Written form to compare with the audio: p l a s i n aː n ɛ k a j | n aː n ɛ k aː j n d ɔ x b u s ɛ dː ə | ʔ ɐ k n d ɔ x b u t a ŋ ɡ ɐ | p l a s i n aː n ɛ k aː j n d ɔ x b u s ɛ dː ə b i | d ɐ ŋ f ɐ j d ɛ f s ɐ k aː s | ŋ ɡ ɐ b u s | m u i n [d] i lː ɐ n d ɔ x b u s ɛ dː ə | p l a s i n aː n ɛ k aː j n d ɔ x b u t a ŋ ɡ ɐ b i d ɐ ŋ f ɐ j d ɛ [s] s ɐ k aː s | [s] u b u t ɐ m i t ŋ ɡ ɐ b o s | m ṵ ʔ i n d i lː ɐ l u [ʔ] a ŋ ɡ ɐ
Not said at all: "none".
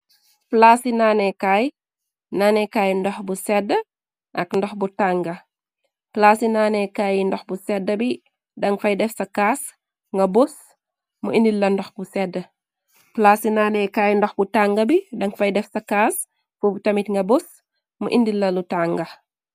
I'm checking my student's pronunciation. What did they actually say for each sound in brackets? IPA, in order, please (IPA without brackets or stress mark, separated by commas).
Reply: d, f, f, t